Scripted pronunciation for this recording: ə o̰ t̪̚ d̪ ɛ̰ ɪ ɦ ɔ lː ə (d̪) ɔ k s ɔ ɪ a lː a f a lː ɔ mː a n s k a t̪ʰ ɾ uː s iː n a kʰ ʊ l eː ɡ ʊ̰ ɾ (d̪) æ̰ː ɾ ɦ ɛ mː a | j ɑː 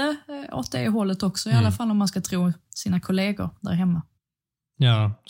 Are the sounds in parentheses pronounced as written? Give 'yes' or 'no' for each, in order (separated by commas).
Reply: no, yes